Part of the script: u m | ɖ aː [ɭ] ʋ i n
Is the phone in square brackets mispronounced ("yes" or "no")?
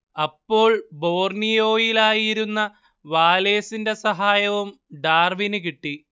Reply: yes